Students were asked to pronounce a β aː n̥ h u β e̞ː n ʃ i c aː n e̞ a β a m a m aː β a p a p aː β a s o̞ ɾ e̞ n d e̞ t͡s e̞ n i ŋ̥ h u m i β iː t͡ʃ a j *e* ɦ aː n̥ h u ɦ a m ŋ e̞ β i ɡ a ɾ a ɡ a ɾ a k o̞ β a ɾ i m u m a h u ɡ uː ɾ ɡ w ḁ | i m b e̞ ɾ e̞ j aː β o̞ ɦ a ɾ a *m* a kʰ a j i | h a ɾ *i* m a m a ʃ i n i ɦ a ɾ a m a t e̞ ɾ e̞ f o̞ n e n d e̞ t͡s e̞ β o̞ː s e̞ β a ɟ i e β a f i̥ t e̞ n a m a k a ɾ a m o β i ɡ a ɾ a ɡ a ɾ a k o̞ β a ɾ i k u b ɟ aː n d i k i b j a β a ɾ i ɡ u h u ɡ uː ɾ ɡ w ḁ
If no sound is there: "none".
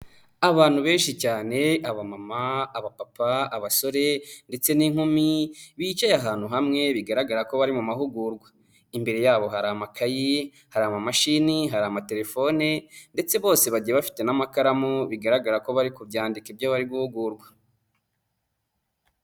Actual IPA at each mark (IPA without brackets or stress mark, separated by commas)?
a, m, a